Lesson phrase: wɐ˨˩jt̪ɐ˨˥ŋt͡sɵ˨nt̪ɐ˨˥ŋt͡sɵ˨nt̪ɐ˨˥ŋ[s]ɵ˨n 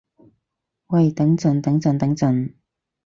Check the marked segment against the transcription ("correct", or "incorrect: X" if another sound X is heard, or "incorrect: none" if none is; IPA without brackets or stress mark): incorrect: t͡s